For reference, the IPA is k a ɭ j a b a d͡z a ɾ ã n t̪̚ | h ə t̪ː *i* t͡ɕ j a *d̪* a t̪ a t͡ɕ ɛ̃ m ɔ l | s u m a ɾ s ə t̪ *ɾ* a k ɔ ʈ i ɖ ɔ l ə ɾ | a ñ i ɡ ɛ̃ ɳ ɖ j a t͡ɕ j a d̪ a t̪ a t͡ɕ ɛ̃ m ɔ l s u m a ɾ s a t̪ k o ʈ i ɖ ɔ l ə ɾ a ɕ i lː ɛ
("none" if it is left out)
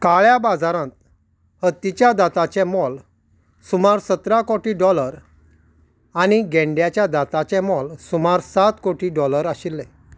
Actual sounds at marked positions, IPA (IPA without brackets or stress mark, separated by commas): i, d̪, ɾ